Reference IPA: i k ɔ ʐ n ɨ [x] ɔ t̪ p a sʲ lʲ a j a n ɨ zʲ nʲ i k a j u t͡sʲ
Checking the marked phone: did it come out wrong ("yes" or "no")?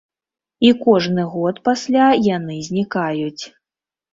yes